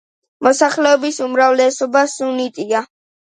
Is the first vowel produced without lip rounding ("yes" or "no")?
no